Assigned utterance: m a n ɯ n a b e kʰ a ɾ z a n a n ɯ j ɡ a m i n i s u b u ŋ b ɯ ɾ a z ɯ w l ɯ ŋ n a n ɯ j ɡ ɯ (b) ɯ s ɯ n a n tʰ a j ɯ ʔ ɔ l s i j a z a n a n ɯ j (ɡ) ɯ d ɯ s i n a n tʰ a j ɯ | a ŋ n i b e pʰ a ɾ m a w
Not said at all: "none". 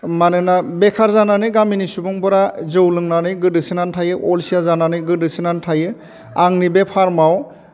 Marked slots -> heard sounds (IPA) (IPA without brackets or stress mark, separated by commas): d, ɡ